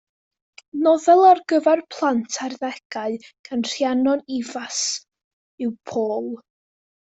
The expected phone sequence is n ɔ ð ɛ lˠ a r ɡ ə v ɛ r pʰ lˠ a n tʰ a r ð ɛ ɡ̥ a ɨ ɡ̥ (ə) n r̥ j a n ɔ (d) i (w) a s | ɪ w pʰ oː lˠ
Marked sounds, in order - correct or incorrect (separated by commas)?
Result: incorrect, incorrect, incorrect